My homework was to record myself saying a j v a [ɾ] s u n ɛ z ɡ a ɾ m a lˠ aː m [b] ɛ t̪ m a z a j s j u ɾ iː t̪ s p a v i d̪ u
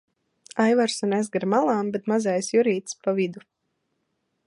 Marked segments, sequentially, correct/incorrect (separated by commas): correct, correct